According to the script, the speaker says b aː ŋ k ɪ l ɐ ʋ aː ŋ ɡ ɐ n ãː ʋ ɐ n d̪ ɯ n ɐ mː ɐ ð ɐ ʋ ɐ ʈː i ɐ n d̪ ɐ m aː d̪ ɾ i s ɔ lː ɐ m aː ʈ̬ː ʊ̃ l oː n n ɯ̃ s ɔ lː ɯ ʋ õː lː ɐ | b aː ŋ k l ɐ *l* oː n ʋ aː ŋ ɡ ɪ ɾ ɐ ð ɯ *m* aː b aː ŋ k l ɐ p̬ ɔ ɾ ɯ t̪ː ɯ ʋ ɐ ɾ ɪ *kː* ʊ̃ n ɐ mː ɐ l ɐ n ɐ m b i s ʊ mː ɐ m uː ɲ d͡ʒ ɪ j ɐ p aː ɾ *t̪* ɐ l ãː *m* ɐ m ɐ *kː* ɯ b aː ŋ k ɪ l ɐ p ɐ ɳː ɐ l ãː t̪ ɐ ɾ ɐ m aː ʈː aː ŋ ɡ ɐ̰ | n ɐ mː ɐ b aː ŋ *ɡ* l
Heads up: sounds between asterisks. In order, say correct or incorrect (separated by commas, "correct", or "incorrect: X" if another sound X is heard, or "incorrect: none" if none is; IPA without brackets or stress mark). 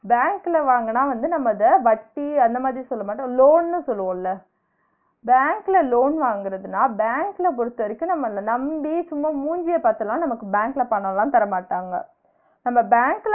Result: correct, incorrect: n, correct, correct, incorrect: n, correct, incorrect: k